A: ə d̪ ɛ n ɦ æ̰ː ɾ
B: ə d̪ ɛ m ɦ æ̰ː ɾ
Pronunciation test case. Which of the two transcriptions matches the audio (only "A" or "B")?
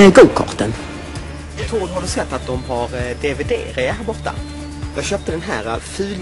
A